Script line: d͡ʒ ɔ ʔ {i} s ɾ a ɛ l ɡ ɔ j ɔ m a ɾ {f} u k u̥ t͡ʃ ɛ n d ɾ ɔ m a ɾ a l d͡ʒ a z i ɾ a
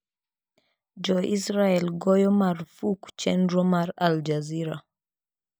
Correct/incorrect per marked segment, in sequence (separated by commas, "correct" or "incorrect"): correct, correct